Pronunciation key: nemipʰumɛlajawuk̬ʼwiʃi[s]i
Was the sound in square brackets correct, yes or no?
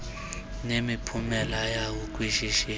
no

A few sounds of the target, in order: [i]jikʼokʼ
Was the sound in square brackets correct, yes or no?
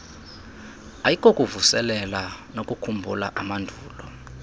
no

